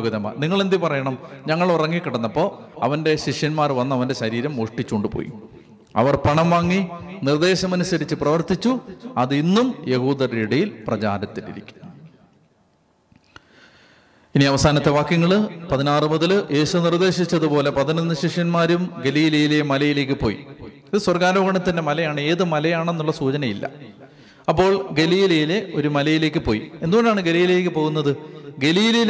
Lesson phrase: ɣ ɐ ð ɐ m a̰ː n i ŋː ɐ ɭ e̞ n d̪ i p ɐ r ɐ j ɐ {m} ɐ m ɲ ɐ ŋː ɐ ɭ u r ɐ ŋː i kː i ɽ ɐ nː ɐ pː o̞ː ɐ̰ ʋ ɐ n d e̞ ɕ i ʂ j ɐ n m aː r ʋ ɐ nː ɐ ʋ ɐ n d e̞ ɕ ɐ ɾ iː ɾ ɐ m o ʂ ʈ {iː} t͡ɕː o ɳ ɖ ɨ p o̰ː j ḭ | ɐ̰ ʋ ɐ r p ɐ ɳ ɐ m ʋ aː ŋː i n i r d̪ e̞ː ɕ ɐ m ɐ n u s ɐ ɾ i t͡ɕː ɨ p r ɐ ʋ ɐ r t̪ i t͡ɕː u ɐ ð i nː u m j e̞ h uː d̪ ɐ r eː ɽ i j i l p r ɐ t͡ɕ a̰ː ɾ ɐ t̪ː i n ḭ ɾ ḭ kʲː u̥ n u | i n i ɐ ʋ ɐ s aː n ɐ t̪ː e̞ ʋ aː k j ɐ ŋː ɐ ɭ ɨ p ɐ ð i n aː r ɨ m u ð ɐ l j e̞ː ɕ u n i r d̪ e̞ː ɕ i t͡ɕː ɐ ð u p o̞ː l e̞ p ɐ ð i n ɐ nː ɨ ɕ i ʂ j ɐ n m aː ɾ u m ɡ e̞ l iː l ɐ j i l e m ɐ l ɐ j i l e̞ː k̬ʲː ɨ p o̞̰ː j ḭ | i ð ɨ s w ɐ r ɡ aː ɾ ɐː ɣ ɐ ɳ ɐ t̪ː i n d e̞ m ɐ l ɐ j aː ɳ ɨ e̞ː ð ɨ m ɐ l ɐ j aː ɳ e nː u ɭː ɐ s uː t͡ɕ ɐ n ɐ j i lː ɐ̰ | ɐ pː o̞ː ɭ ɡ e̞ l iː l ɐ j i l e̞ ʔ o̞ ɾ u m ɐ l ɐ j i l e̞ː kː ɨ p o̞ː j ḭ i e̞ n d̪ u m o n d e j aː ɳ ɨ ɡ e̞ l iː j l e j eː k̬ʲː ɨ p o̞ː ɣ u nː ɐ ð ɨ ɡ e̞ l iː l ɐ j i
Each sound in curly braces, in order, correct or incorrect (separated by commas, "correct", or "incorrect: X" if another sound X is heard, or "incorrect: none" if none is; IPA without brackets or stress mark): incorrect: ɳ, incorrect: i